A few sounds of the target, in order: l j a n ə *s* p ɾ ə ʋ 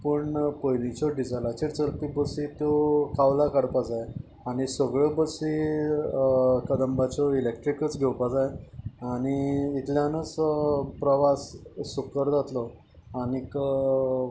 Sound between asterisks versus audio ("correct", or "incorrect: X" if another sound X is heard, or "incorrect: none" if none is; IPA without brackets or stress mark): incorrect: t͡s